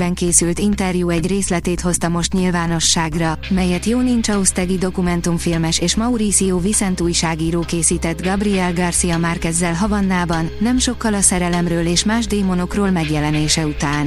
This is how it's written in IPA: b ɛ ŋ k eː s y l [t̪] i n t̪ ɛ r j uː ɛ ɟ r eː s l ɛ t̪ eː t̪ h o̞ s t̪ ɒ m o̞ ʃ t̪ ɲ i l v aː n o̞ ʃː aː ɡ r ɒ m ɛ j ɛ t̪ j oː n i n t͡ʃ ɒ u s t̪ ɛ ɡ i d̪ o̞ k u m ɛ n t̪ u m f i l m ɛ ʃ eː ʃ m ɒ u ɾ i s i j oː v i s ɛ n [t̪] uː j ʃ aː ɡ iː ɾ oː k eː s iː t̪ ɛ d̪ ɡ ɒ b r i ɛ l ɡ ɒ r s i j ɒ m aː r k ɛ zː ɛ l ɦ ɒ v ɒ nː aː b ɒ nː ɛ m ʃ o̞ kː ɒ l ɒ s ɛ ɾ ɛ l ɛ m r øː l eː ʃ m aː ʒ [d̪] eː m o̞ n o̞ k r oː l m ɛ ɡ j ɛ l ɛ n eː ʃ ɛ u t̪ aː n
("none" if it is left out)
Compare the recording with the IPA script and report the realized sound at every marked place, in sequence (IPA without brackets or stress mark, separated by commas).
t̪, t̪, d̪